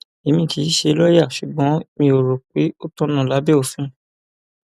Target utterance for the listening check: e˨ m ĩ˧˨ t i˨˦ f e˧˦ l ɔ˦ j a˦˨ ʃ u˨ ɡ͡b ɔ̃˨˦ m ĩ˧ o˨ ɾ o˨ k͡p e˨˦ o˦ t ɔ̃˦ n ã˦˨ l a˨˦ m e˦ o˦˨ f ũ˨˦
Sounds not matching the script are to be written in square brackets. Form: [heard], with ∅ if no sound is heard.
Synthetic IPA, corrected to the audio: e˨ m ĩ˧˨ t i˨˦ [ʃ] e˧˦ l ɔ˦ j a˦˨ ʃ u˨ ɡ͡b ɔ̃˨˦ m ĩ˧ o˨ ɾ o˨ k͡p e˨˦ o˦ t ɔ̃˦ n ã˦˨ l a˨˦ [b] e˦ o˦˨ f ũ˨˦